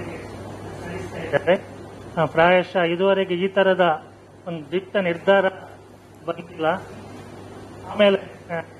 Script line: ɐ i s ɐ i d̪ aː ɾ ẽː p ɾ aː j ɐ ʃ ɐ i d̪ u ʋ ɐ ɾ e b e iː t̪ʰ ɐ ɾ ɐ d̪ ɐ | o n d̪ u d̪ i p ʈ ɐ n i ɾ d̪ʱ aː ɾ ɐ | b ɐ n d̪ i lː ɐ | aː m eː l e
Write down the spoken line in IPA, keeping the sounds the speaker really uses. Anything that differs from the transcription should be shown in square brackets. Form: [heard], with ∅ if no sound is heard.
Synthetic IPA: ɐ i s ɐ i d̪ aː ɾ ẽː p ɾ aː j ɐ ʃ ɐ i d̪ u ʋ ɐ ɾ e [ɡ] e iː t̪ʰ ɐ ɾ ɐ d̪ ɐ | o n d̪ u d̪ i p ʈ ɐ n i ɾ d̪ʱ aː ɾ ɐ | b ɐ n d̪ i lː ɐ | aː m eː l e